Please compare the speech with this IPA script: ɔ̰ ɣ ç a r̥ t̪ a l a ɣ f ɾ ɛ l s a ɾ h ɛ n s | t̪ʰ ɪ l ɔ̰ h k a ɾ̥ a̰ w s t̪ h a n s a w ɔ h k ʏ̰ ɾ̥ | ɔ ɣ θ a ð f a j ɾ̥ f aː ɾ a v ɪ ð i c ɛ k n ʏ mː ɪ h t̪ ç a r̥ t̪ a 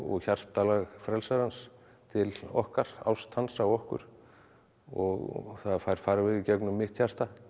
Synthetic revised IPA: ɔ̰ ɣ ç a r̥ t̪ a l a ɣ f ɾ ɛ l s a ɾ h a n s | t̪ʰ ɪ l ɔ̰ h k a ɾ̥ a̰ w s t̪ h a n s a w ɔ h k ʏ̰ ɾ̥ | ɔ ɣ θ a ð f a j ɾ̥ f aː ɾ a v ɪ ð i c ɛ k n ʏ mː ɪ h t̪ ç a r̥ t̪ a